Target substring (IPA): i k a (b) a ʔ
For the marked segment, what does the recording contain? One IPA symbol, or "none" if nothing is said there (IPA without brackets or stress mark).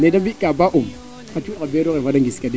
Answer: b